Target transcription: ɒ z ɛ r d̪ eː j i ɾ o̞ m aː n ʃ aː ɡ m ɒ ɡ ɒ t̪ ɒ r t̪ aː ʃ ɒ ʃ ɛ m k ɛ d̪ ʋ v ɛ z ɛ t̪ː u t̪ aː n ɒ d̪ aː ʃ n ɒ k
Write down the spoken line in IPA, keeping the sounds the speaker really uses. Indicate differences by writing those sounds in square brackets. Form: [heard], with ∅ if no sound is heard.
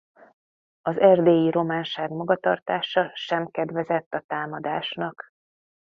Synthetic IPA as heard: ɒ z ɛ r d̪ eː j i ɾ o̞ m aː n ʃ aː ɡ m ɒ ɡ ɒ t̪ ɒ r t̪ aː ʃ ɒ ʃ ɛ m k ɛ d̪ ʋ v ɛ z ɛ t̪ː [ɒ] t̪ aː [m] ɒ d̪ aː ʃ n ɒ k